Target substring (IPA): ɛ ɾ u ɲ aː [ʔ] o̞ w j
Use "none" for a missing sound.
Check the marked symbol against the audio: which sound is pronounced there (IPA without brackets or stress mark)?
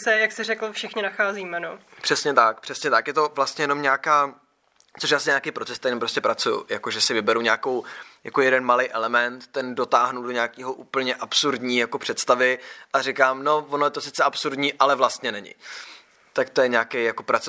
k